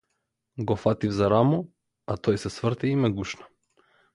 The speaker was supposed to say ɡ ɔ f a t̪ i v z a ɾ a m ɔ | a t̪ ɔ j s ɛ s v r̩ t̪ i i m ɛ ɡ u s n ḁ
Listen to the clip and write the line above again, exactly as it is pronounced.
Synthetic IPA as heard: ɡ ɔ f a t̪ i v z a ɾ a m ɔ | a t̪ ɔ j s ɛ s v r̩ t̪ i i m ɛ ɡ u ʃ n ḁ

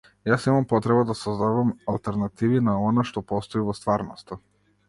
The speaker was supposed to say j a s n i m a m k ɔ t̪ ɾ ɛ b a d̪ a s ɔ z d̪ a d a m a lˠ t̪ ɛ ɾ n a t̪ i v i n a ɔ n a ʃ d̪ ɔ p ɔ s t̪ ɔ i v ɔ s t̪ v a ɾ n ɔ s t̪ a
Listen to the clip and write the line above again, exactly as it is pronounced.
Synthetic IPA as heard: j a s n i m a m p ɔ t̪ ɾ ɛ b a d̪ a s ɔ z d̪ a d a m a lˠ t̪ ɛ ɾ n a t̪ i v i n a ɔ n a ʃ t̪ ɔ p ɔ s t̪ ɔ i v ɔ s t̪ v a ɾ n ɔ s t̪ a

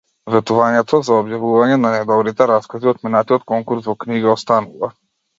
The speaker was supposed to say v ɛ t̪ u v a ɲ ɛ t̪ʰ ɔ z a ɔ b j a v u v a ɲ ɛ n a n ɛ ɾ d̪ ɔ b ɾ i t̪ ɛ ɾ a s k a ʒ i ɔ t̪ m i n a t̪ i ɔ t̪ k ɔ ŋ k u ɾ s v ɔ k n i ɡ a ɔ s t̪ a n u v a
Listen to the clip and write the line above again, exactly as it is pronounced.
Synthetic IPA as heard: v ɛ t̪ u v a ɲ ɛ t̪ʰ ɔ z a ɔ b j a v u v a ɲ ɛ n a n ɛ d̪ ɔ b ɾ i t̪ ɛ ɾ a s k a z i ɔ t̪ m i n a t̪ i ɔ t̪ k ɔ ŋ k u ɾ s v ɔ k n i ɡ a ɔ s t̪ a n u v a

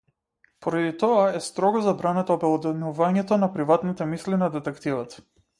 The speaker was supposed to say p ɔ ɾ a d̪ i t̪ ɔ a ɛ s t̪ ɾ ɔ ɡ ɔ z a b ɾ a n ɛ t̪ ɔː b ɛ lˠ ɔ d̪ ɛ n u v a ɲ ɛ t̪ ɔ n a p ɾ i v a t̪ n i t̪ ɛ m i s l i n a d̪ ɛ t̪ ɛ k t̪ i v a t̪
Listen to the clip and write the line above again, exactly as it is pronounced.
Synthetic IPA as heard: p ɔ ɾ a d̪ i t̪ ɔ a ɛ s t̪ ɾ ɔ ɡ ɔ z a b ɾ a n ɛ t̪ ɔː b ɛ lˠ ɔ d̪ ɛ n u v a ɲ ɛ t̪ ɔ n a p ɾ i v a t̪ n i t̪ ɛ m i s l i n a d̪ ɛ t̪ ɛ k t̪ i v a t̪

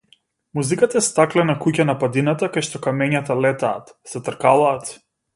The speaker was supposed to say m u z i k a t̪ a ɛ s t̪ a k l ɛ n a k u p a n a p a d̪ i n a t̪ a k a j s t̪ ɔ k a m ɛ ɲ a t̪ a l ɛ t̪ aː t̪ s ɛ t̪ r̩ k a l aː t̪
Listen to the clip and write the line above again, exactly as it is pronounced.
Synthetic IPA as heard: m u z i k a t̪ a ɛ s t̪ a k l ɛ n a k u c a n a p a d̪ i n a t̪ a k a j ʃ t̪ ɔ k a m ɛ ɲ a t̪ a l ɛ t̪ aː t̪ s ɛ t̪ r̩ k a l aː t̪

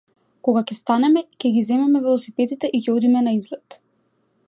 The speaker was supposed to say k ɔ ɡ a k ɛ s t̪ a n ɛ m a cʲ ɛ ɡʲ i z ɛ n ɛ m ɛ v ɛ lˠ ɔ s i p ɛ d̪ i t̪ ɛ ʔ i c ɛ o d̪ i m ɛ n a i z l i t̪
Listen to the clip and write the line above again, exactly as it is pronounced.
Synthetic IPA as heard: k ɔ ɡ a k ɛ s t̪ a n ɛ m ɛ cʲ ɛ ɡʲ i z ɛ m ɛ m ɛ v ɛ lˠ ɔ s i p ɛ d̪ i t̪ ɛ ʔ i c ɛ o d̪ i m ɛ n a i z l ɛ t̪

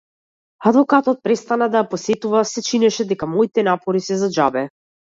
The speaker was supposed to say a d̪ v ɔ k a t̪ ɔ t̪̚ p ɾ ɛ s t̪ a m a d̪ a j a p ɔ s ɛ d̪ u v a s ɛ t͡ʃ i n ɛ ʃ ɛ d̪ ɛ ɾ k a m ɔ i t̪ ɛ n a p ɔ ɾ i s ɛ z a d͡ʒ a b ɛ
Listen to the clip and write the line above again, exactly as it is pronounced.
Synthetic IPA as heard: a d̪ v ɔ k a t̪ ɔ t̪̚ p ɾ ɛ s t̪ a n a d̪ a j a p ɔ s ɛ t̪ u v a s ɛ t͡ʃ i n ɛ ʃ ɛ d̪ ɛ k a m ɔ i t̪ ɛ n a p ɔ ɾ i s ɛ z a d͡ʒ a b ɛ

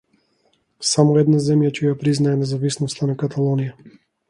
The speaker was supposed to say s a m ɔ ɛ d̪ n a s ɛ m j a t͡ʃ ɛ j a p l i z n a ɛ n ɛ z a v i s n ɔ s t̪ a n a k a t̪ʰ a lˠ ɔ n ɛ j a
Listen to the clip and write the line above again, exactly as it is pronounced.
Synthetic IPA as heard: s a m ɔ ɛ d̪ n a z ɛ m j a t͡ʃ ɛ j a p ɾ i z n a ɛ n ɛ z a v i s n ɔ s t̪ a n a k a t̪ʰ a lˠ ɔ n i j a

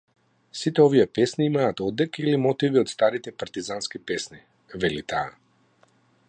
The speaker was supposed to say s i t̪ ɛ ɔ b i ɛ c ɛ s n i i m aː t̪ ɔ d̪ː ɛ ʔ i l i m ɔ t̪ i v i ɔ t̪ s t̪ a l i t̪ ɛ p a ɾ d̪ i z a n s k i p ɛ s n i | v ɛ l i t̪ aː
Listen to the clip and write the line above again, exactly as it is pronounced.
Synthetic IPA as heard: s i t̪ ɛ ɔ v i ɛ p ɛ s n i i m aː t̪ ɔ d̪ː ɛ k i l i m ɔ t̪ i v i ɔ t̪ s t̪ a ɾ i t̪ ɛ p a ɾ t̪ i z a n s k i p ɛ s n i | v ɛ l i t̪ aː

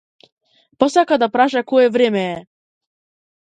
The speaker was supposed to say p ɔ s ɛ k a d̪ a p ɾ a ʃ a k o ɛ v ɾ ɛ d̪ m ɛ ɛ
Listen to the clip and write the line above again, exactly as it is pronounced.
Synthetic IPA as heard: p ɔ s a k a d̪ a p ɾ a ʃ a k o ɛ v ɾ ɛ m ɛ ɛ

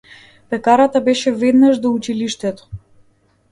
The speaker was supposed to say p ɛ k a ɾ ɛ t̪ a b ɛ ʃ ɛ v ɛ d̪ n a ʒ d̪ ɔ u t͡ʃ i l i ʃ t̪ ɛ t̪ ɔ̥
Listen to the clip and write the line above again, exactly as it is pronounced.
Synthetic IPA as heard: p ɛ k a ɾ a t̪ a b ɛ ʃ ɛ v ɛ d̪ n a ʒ d̪ ɔ u t͡ʃ i l i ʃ t̪ ɛ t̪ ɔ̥

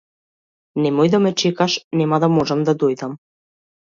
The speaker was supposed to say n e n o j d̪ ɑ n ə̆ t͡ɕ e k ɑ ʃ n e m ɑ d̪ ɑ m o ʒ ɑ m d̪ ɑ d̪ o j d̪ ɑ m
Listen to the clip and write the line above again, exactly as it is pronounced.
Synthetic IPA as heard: n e m o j d̪ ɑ m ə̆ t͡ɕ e k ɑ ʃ n e m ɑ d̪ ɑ m o ʒ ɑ m d̪ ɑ d̪ o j d̪ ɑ m

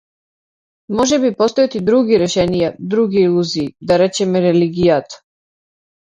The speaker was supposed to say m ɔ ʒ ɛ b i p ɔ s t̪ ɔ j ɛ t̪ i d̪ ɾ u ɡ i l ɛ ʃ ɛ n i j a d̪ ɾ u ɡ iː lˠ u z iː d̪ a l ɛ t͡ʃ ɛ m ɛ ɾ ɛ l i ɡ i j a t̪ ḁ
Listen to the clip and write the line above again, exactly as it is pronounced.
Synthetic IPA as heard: m ɔ ʒ ɛ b i p ɔ s t̪ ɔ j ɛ t̪ i d̪ ɾ u ɡ i ɾ ɛ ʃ ɛ n i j a d̪ ɾ u ɡ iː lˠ u z iː d̪ a ɾ ɛ t͡ʃ ɛ m ɛ ɾ ɛ l i ɡ i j a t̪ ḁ

